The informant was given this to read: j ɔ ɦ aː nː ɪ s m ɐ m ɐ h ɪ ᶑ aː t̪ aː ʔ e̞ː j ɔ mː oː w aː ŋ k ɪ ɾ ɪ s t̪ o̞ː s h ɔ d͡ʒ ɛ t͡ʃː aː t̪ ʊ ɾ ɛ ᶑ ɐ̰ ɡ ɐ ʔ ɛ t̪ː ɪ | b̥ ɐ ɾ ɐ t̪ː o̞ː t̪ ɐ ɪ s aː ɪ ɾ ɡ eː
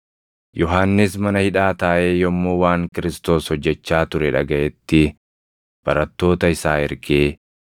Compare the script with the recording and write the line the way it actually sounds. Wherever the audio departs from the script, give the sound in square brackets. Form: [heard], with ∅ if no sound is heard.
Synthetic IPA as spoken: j ɔ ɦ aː nː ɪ s m ɐ [n] ɐ h ɪ ᶑ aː t̪ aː ʔ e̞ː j ɔ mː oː w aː ŋ k ɪ ɾ ɪ s t̪ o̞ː s h ɔ [d͡ʒː] ɛ t͡ʃː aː t̪ ʊ ɾ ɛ ᶑ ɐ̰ ɡ ɐ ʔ ɛ t̪ː ɪ | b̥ ɐ ɾ ɐ t̪ː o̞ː t̪ ɐ ɪ s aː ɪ ɾ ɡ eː